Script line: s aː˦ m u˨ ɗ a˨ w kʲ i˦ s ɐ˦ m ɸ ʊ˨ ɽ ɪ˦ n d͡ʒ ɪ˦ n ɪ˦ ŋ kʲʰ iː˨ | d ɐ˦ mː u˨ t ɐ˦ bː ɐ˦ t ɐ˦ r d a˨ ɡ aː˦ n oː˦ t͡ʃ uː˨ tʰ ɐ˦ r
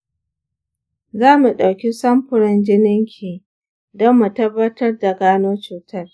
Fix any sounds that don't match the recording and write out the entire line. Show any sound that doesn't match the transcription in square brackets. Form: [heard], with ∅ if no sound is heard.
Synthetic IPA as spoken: [z] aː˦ m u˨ ɗ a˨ w kʲ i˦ s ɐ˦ m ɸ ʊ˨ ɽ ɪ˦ n d͡ʒ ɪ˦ n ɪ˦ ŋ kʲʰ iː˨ | d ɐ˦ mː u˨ t ɐ˦ bː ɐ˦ t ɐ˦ r d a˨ ɡ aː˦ n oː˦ t͡ʃ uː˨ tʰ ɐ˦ r